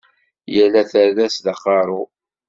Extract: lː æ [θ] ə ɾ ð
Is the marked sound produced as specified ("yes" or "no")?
yes